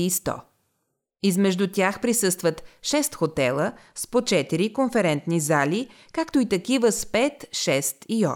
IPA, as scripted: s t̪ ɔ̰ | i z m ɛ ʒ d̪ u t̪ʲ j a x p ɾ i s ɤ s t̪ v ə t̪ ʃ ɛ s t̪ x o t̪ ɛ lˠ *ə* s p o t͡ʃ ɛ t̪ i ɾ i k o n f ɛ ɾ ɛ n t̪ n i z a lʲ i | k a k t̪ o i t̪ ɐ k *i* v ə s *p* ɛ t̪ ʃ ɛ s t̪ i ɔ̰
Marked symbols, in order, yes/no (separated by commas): yes, yes, yes